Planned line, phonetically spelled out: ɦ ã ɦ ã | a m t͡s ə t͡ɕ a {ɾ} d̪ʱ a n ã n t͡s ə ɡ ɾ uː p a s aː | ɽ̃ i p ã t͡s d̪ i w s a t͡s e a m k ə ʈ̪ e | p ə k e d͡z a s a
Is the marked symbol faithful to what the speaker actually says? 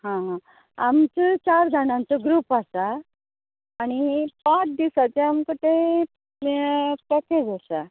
yes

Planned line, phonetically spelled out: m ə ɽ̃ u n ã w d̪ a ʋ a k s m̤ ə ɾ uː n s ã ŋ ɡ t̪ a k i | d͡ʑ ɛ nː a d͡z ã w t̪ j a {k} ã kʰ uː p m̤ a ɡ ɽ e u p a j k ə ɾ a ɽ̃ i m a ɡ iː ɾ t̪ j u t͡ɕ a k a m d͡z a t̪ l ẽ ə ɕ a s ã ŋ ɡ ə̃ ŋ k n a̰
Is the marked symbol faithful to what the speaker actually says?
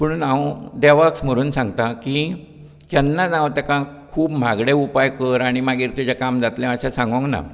yes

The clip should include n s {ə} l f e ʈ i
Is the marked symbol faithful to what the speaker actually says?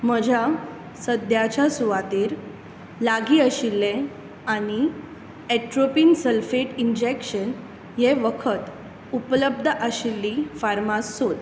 yes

